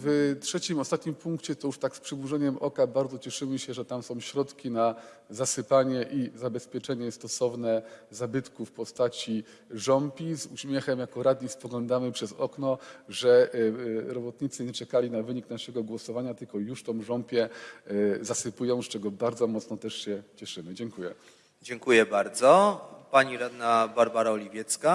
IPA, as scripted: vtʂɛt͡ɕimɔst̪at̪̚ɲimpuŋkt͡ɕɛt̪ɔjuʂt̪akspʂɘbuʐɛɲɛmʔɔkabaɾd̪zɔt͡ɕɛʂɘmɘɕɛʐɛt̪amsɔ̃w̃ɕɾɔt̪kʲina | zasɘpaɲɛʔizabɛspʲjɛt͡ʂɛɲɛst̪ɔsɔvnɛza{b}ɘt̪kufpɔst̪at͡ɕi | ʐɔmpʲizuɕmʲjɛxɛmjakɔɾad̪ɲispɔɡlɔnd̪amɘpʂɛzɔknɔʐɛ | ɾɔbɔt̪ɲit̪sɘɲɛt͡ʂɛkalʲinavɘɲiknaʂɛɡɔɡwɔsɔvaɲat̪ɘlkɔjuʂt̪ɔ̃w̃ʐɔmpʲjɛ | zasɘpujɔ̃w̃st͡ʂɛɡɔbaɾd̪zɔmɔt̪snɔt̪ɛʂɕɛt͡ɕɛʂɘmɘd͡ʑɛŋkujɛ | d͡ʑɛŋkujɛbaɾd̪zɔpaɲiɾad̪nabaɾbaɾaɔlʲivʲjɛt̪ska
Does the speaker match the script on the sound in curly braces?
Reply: yes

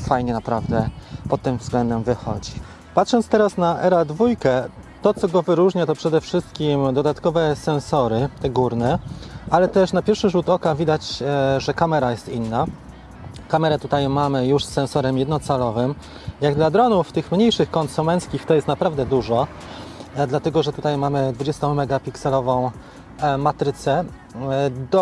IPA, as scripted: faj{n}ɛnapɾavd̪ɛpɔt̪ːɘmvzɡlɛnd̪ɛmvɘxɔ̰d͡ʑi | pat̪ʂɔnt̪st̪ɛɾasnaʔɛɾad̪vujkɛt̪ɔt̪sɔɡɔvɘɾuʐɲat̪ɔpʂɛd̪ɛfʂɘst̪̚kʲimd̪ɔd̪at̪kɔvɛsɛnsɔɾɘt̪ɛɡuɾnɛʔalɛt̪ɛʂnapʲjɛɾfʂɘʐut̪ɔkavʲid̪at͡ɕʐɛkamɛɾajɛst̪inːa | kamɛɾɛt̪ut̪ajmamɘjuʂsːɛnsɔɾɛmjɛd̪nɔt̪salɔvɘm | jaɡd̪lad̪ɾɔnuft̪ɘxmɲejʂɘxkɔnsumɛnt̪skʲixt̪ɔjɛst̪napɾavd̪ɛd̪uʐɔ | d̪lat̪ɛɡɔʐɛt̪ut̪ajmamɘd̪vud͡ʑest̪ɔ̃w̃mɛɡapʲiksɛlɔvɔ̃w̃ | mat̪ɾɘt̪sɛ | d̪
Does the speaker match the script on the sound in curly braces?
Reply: no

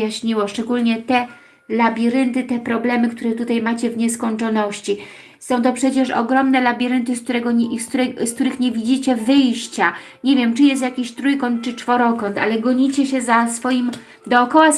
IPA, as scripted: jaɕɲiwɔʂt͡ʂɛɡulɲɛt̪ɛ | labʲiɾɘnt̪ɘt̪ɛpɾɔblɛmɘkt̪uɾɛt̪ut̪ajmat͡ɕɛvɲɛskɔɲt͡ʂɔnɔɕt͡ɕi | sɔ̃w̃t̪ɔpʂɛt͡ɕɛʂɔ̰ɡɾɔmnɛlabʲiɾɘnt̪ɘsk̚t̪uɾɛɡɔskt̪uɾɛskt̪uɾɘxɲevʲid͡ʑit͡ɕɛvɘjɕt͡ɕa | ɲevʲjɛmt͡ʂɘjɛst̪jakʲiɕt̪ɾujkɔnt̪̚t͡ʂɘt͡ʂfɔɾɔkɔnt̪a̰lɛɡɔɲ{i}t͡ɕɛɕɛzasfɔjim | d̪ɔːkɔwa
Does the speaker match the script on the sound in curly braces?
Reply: yes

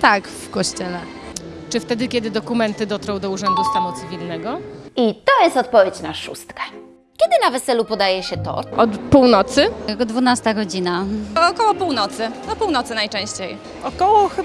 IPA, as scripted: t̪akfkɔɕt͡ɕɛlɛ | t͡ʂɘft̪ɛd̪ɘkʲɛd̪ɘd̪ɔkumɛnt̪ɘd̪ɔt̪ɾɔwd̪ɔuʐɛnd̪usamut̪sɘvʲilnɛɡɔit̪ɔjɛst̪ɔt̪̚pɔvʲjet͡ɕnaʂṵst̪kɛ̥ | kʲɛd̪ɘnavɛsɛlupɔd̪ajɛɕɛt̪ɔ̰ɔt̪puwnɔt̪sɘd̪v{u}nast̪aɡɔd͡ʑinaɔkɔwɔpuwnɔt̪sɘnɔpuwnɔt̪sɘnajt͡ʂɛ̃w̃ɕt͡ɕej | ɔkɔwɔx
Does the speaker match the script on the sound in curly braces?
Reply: yes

